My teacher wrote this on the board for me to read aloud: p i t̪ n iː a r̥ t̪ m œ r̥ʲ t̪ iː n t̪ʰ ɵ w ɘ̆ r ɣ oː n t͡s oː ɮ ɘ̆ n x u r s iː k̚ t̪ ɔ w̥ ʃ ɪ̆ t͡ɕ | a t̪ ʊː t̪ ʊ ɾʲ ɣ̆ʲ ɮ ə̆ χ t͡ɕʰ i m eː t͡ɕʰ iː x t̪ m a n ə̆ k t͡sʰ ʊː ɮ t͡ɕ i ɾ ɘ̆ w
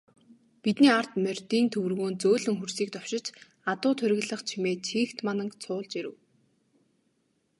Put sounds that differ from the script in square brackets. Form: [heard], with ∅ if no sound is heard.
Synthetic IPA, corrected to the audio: p i t̪ n iː a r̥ t̪ m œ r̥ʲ t̪ iː n t̪ʰ ɵ w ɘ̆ r ɣ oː n t͡s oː ɮ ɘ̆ [ŋ] x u r s iː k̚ t̪ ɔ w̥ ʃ ɪ̆ t͡ɕ | a t̪ ʊː [t̪ʰ] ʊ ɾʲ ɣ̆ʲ ɮ ə̆ χ t͡ɕʰ i m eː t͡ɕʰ iː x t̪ m a n ə̆ k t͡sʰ ʊː ɮ t͡ɕ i ɾ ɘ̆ w